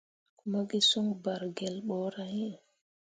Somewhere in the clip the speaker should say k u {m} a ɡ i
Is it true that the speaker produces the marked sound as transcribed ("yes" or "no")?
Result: yes